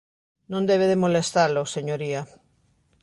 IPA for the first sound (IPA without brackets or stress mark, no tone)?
n